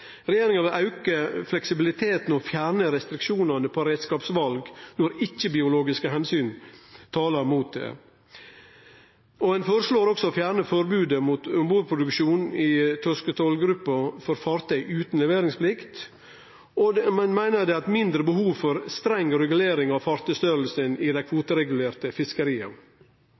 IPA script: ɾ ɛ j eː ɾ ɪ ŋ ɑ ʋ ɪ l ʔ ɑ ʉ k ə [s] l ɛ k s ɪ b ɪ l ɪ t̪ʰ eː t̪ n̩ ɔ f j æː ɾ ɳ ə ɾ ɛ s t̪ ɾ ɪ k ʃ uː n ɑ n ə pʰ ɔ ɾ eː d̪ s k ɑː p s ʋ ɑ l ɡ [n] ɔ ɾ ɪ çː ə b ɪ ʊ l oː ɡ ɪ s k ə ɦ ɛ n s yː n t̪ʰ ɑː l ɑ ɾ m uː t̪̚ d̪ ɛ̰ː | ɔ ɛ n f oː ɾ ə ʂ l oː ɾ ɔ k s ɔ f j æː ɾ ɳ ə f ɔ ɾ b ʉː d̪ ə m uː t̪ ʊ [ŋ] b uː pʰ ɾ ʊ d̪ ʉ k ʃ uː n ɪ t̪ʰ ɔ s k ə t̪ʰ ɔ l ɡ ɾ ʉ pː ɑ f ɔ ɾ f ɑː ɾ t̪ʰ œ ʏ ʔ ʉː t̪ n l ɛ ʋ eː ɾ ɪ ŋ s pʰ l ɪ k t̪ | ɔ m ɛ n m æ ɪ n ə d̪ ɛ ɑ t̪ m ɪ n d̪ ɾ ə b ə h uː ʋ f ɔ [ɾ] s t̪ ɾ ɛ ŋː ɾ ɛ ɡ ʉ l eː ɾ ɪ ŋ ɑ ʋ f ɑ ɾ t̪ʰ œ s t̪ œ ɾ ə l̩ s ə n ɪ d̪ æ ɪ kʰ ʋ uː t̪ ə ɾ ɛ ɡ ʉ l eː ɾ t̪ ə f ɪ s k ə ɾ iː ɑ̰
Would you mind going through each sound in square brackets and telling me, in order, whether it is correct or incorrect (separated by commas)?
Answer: incorrect, correct, incorrect, correct